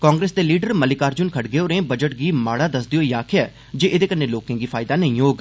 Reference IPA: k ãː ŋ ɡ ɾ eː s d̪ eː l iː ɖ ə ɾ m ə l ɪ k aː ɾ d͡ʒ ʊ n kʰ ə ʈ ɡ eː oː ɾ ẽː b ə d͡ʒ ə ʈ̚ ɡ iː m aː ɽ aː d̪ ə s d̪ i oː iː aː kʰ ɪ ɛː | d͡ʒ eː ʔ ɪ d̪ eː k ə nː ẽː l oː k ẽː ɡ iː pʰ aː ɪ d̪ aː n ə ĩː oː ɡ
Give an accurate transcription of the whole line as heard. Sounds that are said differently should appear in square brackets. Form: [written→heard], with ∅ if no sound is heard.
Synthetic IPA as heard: k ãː ŋ ɡ ɾ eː s d̪ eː l iː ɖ ə ɾ m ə l ɪ k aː ɾ d͡ʒ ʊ n kʰ ə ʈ ɡ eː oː ɾ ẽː b ə d͡ʒ ə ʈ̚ ɡ iː m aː ɽ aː d̪ ə s d̪ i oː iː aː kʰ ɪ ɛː | d͡ʒ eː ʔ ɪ d̪ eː k ə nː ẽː l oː k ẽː ɡ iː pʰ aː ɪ d̪ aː n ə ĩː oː ɡ